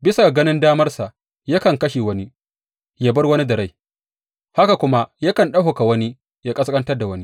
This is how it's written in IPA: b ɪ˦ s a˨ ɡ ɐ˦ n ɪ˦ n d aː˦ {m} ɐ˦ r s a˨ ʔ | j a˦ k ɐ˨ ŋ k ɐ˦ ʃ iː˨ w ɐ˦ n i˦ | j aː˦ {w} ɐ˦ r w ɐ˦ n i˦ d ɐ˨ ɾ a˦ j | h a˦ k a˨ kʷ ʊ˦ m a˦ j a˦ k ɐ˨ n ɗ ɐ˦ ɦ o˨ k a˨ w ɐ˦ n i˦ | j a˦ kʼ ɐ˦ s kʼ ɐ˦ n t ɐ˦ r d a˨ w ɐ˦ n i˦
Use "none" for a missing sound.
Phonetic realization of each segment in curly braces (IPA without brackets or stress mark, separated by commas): m, b